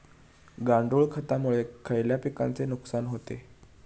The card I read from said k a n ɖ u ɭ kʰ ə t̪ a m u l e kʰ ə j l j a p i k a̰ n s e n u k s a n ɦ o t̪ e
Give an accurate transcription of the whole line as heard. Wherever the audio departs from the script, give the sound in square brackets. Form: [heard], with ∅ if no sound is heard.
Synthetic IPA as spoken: [ɡ] a [ɳ] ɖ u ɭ kʰ ə t̪ a m u [ɭ] e kʰ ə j l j a p i k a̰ n [t͡s] e n u k s a n ɦ o t̪ e